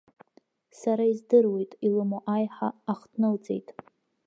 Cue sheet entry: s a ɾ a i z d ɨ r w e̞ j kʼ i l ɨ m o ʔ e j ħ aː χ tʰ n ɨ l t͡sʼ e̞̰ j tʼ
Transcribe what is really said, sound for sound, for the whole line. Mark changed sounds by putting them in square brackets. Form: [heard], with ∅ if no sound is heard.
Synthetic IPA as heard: s a ɾ a i z d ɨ r w e̞ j [tʼ] i l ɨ m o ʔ [a] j ħ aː χ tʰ n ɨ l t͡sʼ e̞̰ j tʼ

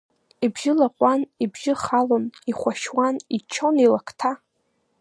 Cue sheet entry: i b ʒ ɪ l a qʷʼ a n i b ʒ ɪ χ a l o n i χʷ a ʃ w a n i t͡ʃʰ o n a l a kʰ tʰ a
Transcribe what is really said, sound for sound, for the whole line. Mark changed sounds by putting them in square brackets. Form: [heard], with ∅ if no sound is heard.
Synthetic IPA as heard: i b ʒ ɪ l a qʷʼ a n i b ʒ ɪ χ a l o n i χʷ a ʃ w a n i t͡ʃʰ o n [i] l a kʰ tʰ a

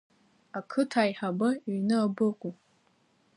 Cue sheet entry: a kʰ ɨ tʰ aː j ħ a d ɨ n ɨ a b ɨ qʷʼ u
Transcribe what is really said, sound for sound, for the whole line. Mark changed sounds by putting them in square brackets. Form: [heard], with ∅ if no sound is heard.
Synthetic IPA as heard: a kʰ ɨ tʰ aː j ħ a [b] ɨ n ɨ a b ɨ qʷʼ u

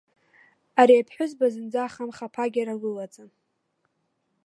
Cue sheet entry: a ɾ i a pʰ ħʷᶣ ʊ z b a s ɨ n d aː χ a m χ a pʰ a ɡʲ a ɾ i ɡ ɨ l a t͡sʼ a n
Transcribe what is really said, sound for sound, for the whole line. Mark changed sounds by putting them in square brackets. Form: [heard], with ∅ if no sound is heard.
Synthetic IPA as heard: a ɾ i a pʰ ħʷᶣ ʊ z b a [z] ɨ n [d͡z] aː χ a m χ a pʰ a ɡʲ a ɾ [a] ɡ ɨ l a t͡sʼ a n

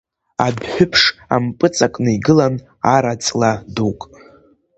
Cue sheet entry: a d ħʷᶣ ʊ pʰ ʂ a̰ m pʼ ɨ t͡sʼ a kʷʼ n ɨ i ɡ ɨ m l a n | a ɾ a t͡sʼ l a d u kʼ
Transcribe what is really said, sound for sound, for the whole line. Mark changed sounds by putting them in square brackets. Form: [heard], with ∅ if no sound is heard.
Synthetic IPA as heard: a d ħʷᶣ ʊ pʰ ʂ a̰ m pʼ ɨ t͡sʼ a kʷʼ n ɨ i ɡ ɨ [∅] l a n | a ɾ a t͡sʼ l a d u kʼ

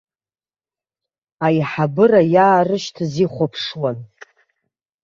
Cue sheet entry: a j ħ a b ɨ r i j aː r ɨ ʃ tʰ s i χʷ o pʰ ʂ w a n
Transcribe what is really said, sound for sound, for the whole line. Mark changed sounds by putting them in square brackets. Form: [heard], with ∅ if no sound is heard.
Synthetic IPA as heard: a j ħ a b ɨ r [a] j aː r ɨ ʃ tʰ [z] i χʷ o pʰ ʂ w a n

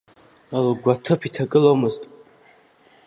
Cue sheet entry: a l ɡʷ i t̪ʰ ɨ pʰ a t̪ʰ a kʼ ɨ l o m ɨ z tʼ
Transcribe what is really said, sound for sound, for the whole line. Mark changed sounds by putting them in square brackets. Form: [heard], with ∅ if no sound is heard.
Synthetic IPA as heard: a l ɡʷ [a] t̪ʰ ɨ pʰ [i] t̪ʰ a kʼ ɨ l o m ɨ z tʼ

